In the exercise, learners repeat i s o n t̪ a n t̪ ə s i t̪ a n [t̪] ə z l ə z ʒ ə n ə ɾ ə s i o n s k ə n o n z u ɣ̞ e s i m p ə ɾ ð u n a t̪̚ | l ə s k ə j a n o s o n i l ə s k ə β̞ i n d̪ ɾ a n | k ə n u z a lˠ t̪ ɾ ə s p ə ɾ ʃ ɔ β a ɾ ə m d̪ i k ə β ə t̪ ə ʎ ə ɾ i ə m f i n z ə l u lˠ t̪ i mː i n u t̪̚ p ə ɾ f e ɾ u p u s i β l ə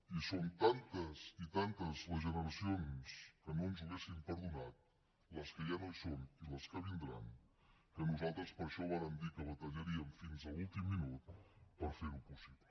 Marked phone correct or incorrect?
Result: correct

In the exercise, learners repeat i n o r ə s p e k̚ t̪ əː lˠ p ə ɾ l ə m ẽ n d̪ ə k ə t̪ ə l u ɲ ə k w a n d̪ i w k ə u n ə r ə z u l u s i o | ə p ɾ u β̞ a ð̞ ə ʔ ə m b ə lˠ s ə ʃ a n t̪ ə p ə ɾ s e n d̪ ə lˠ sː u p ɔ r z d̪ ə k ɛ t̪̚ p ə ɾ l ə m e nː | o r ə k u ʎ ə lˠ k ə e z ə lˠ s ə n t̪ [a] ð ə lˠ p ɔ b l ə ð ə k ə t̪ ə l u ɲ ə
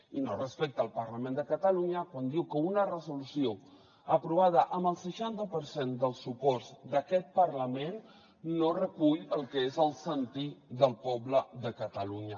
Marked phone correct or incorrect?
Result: incorrect: i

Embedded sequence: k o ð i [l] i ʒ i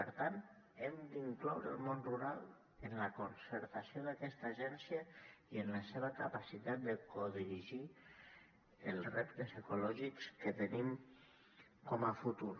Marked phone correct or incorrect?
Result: incorrect: ɾ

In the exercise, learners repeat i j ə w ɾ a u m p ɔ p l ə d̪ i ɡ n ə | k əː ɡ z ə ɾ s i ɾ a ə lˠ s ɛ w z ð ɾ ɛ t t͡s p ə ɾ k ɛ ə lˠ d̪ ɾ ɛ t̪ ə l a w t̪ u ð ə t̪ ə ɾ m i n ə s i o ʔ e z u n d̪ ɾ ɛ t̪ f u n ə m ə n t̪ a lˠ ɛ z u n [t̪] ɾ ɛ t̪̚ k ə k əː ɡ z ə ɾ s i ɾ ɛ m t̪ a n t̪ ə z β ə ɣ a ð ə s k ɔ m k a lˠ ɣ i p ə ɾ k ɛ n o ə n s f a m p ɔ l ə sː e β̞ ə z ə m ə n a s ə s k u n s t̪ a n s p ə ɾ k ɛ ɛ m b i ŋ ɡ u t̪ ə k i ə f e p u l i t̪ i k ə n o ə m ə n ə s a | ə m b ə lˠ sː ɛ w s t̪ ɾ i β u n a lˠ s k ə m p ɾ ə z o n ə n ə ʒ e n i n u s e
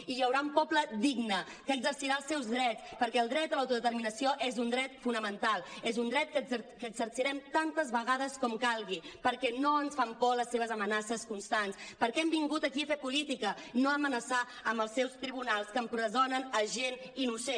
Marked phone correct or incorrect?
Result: incorrect: d̪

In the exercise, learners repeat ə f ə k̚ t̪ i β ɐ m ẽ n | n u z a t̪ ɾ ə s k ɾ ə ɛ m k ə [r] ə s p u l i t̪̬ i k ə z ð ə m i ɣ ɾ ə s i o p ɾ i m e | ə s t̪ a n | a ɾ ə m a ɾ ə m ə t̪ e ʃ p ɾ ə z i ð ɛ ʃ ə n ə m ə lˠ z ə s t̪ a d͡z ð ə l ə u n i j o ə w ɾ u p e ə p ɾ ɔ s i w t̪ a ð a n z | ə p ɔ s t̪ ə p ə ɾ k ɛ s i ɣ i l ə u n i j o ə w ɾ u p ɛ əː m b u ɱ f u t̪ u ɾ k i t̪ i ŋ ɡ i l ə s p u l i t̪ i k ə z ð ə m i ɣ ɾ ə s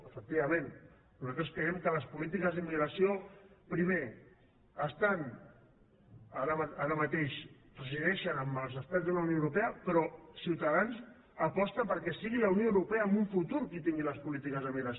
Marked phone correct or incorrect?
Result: incorrect: l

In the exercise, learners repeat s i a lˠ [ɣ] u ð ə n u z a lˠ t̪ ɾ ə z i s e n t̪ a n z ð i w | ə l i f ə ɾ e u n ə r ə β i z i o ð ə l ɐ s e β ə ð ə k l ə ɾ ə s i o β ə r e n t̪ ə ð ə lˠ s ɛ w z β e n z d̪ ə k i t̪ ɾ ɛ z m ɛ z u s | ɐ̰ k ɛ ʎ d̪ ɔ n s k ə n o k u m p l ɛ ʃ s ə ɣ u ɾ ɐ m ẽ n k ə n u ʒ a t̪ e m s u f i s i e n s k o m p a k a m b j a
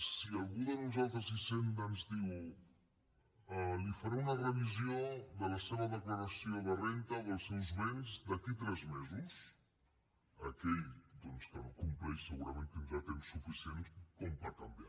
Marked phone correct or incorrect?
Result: correct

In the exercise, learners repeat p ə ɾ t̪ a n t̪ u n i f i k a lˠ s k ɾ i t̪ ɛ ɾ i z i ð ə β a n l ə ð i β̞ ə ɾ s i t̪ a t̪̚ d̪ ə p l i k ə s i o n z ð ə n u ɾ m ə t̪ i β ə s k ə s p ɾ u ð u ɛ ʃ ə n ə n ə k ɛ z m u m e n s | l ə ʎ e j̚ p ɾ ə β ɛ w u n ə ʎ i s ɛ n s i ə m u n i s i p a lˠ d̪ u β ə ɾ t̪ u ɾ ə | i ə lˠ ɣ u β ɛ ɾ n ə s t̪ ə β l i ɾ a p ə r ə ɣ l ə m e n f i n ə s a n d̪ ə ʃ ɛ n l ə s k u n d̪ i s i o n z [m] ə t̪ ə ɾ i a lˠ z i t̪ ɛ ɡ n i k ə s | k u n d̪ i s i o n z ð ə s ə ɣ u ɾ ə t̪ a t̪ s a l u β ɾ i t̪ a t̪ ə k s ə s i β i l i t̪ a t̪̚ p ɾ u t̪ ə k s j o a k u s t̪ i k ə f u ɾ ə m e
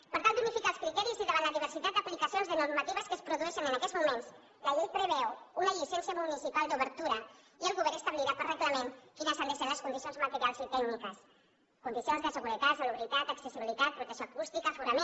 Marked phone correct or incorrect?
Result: correct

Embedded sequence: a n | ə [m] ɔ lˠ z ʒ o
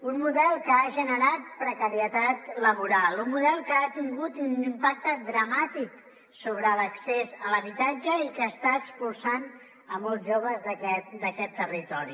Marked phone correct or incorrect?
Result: correct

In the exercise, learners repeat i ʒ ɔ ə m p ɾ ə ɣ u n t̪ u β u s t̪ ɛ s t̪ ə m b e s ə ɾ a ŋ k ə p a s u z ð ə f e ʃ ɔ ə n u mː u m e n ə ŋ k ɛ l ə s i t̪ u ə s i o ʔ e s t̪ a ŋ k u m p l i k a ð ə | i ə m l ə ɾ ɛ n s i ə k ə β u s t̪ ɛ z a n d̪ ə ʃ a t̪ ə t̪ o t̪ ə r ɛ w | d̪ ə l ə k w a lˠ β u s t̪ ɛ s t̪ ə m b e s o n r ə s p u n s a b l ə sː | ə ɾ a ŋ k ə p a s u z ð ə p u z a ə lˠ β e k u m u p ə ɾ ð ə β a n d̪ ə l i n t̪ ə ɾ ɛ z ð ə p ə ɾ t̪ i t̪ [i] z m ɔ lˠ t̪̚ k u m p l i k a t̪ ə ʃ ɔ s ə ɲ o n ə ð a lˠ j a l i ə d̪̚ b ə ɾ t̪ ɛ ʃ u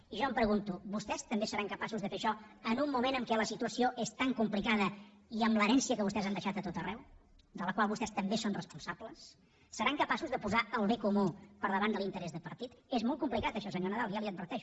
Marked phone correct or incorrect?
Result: incorrect: e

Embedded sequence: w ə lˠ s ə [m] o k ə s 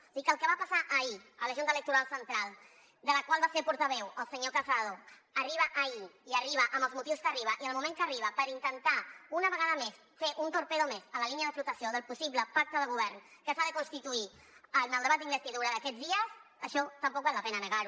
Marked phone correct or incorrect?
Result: incorrect: ɲ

